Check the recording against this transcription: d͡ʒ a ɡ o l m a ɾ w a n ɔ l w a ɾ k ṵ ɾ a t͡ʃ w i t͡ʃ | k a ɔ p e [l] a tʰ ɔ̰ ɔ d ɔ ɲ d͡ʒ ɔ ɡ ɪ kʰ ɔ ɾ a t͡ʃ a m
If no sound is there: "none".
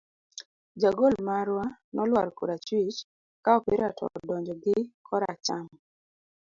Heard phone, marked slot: ɾ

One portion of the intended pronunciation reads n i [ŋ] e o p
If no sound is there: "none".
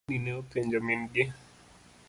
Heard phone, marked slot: n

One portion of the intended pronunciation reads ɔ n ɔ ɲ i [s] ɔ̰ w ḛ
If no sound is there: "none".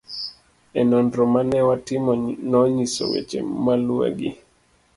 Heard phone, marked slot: s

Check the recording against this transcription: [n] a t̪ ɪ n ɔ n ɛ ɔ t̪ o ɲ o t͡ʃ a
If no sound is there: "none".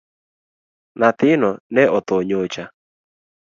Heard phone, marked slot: n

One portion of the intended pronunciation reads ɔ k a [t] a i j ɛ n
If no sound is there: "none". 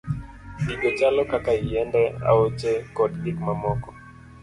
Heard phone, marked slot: k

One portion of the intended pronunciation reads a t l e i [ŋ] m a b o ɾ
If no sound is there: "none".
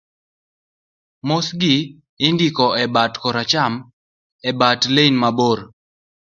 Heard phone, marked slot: n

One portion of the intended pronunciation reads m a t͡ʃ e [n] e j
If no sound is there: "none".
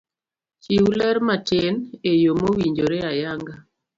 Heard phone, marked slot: n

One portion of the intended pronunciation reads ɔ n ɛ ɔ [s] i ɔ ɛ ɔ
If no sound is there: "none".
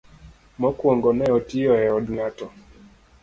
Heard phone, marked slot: t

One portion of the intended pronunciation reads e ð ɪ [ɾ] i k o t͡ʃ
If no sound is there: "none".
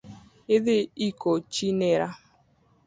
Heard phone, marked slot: none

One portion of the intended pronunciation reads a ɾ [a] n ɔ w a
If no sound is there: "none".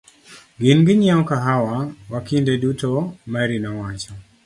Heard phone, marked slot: i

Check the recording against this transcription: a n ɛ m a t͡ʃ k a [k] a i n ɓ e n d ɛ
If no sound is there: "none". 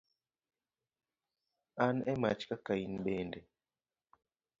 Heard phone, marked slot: k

